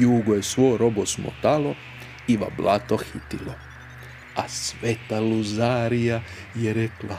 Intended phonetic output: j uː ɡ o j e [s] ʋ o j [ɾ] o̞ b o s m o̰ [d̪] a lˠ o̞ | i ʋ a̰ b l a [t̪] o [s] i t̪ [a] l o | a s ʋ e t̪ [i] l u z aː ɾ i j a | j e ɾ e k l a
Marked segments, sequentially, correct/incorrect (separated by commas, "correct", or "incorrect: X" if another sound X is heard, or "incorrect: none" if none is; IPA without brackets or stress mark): correct, correct, incorrect: t̪, correct, incorrect: x, incorrect: i, incorrect: a